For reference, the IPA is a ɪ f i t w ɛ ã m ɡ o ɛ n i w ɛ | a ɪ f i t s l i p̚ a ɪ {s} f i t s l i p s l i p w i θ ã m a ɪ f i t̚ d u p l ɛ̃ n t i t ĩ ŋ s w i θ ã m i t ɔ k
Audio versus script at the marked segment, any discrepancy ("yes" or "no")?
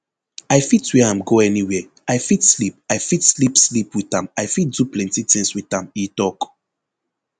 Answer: yes